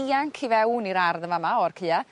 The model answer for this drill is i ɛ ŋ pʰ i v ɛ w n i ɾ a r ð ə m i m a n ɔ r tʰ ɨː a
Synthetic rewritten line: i a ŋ kʰ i v ɛ w n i ɾ a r ð ə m a m a ɔ r kʰ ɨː a